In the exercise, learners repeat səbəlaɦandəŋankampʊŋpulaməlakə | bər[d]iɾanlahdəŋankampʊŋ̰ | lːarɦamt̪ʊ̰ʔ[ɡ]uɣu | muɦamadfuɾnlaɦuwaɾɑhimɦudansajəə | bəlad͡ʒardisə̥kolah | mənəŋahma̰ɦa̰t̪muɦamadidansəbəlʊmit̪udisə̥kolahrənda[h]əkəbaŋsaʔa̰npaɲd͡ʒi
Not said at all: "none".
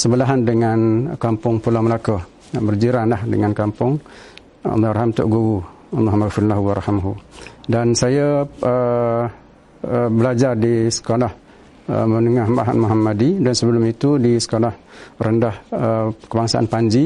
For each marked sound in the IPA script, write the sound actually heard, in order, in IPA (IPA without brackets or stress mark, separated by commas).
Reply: d͡ʒ, ɡ, h